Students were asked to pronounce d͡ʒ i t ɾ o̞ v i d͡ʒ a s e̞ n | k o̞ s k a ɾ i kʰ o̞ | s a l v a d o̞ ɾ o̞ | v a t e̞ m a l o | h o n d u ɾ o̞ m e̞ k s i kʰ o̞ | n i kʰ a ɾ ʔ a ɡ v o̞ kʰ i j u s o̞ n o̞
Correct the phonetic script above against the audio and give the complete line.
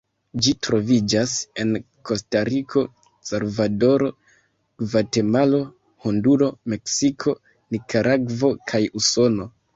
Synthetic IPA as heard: d͡ʒ i t ɾ o̞ v i d͡ʒ a s e̞ n | k o̞ s t a ɾ i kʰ o̞ | s a l v a d o̞ ɾ o̞ | v a t e̞ m a l o | h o n d u ɾ o̞ m e̞ k s i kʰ o̞ | n i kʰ a ɾ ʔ a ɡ v o̞ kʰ a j u s o̞ n o̞